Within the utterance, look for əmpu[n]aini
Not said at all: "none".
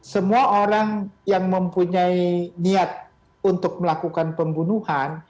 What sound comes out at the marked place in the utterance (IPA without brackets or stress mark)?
ɲ